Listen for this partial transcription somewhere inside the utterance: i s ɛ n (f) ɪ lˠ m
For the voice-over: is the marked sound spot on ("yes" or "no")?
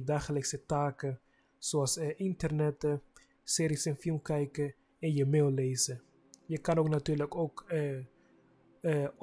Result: yes